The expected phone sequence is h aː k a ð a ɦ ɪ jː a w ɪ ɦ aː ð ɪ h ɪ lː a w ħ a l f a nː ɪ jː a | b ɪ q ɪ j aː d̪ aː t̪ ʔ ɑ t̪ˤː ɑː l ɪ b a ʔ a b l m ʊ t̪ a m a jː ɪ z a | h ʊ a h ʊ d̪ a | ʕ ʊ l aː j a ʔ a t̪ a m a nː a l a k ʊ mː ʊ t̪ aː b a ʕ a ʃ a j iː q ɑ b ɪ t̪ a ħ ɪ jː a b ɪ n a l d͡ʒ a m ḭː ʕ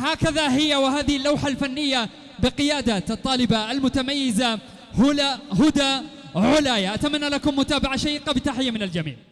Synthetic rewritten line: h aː k a ð a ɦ ɪ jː a w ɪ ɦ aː ð ɪ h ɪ lː a w ħ a l f a nː ɪ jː a | b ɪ q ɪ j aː d̪ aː t̪ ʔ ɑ t̪ˤː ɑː l ɪ b a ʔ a l m ʊ t̪ a m a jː ɪ z a | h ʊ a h ʊ d̪ a | ʕ ʊ l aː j a ʔ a t̪ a m a nː a l a k ʊ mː ʊ t̪ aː b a ʕ a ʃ a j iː q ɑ b ɪ t̪ a ħ ɪ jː a m ɪ n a l d͡ʒ a m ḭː ʕ